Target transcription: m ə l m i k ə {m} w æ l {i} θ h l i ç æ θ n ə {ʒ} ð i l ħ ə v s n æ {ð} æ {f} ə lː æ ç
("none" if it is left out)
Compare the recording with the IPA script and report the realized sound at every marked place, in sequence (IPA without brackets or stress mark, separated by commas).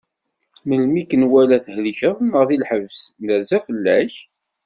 n, æ, ʁ, z, f